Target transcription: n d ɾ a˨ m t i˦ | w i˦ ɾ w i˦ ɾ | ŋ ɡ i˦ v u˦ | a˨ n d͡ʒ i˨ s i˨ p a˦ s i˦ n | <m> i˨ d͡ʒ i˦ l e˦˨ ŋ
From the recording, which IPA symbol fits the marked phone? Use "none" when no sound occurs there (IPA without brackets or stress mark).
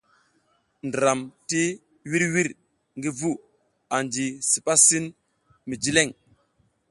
m